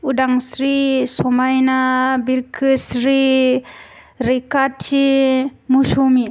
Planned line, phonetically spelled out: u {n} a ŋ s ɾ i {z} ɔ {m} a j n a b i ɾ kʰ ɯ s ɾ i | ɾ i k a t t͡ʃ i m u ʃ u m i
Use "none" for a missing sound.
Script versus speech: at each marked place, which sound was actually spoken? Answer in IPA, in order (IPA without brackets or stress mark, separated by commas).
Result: d, s, m